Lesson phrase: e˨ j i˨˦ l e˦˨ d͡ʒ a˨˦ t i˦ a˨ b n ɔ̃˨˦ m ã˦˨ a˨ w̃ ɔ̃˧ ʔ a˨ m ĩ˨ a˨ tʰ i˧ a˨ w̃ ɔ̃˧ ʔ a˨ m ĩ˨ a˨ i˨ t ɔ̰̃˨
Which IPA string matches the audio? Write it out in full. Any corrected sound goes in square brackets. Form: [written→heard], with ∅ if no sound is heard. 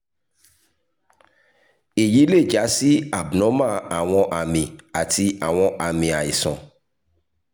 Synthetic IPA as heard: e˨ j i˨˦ l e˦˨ d͡ʒ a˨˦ [t→s] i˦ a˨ b n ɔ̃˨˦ m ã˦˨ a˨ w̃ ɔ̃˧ ʔ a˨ m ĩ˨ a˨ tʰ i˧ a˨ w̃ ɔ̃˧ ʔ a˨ m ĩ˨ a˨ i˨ [t→s] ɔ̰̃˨